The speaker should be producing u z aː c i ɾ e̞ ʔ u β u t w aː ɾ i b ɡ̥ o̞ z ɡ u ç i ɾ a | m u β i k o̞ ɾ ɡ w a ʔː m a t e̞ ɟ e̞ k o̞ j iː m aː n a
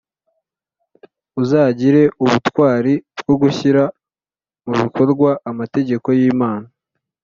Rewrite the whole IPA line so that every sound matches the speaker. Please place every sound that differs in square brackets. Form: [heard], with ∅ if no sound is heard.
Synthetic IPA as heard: u z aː [ɟ] i ɾ e̞ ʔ u β u t w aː ɾ i b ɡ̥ o̞ [∅] ɡ u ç i ɾ a | m u β i k o̞ ɾ ɡ w a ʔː m a t e̞ ɟ e̞ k o̞ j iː m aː n a